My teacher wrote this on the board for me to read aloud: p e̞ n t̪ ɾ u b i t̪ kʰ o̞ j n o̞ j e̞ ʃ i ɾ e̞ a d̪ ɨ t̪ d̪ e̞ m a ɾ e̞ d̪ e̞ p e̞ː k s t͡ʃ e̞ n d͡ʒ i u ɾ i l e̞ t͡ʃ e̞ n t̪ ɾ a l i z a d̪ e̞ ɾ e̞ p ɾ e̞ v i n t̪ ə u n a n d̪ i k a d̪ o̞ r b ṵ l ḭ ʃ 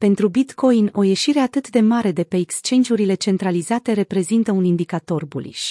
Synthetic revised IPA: p e̞ n t̪ ɾ u b i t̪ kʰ o̞ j n o̞ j e̞ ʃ i ɾ e̞ a t̪ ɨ t̪ d̪ e̞ m a ɾ e̞ d̪ e̞ p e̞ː k s t͡ʃ e̞ n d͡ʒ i u ɾ i l e̞ t͡ʃ e̞ n t̪ ɾ a l i z a t̪ e̞ ɾ e̞ p ɾ e̞ z i n t̪ ə u n i n d̪ i k a t̪ o̞ r b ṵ l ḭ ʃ